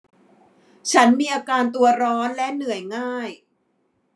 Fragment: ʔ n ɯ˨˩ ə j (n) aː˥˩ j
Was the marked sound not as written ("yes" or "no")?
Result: yes